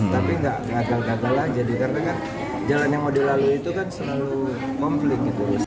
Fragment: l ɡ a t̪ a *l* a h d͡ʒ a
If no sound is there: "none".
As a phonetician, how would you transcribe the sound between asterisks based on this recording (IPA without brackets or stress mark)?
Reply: l